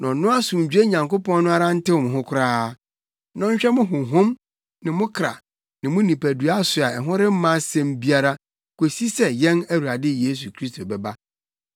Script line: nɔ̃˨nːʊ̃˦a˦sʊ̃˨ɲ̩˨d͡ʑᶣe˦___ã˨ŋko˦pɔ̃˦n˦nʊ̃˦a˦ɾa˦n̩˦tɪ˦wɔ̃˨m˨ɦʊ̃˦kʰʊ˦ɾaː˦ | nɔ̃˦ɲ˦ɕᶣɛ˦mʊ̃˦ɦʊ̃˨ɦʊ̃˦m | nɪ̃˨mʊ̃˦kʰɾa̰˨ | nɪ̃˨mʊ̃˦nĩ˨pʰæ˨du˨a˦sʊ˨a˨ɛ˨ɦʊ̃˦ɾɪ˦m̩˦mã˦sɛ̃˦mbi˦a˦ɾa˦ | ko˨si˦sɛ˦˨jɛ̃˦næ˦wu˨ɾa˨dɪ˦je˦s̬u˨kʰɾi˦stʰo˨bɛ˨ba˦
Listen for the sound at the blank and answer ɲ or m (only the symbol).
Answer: ɲ